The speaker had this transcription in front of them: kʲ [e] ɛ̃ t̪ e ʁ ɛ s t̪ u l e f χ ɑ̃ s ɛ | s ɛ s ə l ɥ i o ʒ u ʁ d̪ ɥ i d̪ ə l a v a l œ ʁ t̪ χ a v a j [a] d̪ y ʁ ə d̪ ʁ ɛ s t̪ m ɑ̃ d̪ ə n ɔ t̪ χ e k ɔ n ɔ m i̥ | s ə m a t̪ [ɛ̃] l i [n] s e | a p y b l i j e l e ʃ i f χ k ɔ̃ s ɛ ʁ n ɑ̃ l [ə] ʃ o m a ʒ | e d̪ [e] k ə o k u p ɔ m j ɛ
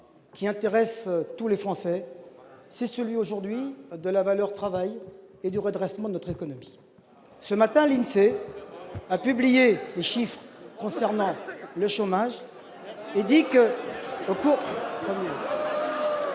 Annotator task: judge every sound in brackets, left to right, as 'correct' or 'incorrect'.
incorrect, incorrect, correct, correct, correct, incorrect

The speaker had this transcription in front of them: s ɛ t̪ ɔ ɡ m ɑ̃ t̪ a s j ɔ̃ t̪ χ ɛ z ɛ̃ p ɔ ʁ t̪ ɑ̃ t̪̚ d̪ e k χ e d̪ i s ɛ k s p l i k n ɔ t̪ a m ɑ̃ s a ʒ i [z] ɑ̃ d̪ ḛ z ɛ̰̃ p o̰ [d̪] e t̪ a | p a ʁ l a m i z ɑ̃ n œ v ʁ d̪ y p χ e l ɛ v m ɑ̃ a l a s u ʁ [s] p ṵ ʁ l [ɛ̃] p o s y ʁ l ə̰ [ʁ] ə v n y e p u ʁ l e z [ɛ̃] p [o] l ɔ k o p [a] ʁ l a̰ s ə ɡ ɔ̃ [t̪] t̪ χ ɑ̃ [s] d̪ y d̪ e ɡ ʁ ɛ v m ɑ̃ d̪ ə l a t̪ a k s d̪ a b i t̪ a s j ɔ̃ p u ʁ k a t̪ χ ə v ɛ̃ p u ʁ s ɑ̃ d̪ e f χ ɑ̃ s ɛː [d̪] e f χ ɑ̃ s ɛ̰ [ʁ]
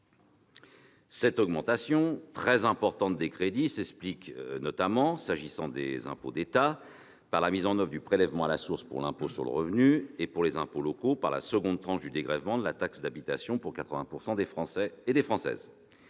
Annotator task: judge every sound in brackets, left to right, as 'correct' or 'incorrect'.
incorrect, correct, correct, correct, correct, correct, correct, correct, incorrect, incorrect, correct, incorrect

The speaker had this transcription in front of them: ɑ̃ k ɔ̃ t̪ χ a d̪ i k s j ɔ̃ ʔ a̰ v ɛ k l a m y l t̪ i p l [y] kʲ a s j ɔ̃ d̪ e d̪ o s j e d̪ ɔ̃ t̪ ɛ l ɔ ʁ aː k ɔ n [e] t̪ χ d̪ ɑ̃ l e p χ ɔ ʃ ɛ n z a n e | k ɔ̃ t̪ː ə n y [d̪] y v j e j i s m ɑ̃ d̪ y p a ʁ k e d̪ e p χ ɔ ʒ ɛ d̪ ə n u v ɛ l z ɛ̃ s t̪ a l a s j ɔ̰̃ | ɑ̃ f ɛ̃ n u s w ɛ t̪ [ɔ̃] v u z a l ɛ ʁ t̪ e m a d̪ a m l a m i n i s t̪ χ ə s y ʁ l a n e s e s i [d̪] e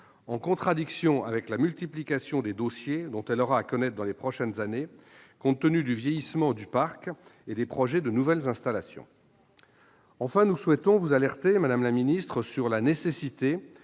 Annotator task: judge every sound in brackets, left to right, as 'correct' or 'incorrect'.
incorrect, incorrect, correct, correct, incorrect

